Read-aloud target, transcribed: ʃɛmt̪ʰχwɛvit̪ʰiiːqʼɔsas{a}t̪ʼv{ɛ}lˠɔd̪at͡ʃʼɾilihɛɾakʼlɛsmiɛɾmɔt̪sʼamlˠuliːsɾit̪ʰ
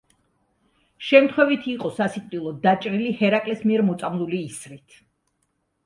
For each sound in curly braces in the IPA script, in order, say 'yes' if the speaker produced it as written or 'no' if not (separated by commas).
no, no